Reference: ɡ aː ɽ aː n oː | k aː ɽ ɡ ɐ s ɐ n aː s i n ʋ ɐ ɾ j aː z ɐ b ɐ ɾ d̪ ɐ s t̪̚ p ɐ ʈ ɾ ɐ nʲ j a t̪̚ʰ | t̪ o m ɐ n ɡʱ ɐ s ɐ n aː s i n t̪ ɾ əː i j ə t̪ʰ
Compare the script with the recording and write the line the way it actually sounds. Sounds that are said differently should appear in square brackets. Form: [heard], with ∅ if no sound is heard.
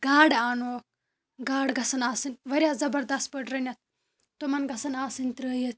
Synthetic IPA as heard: ɡ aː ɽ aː n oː | [ɡ] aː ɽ ɡ ɐ s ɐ n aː s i n ʋ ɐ ɾ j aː z ɐ b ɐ ɾ d̪ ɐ s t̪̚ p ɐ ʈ ɾ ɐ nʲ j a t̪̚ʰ | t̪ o m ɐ n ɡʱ ɐ s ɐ n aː s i n t̪ ɾ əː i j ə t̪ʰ